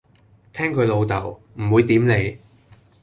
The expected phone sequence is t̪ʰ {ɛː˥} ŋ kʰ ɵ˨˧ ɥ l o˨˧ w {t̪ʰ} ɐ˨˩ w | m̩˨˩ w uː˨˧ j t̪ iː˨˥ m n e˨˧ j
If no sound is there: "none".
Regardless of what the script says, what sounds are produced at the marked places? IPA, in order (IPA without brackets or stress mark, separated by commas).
ɛː˥, t̪